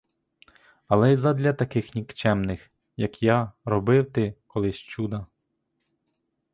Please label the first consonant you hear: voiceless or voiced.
voiced